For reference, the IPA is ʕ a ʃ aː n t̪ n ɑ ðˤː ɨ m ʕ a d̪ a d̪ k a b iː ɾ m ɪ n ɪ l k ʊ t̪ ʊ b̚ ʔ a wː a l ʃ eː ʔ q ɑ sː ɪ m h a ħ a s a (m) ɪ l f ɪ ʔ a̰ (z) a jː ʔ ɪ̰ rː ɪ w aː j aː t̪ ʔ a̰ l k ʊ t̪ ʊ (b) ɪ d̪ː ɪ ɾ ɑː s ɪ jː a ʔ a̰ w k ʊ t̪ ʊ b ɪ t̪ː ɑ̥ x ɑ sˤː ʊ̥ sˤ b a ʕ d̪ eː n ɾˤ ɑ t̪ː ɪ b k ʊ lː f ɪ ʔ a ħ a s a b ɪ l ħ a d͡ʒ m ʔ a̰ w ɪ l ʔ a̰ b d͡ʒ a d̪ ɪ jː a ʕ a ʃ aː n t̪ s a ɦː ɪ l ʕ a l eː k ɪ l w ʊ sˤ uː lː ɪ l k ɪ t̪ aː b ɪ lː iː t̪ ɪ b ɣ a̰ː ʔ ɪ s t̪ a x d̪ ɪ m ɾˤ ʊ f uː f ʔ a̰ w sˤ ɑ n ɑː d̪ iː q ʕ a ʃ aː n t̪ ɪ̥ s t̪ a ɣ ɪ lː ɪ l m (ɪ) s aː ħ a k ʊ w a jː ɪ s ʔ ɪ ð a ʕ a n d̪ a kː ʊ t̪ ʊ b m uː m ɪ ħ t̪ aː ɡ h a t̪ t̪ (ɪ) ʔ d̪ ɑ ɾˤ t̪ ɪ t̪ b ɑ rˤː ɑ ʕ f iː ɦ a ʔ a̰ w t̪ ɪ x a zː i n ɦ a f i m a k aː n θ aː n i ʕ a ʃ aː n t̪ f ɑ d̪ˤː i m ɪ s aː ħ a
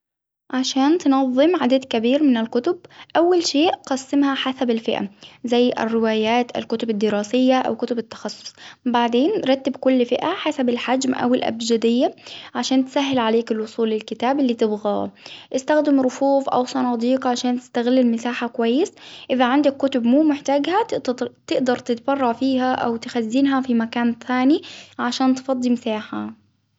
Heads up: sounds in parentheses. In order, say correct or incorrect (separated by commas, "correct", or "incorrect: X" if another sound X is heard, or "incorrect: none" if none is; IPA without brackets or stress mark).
incorrect: b, correct, correct, correct, correct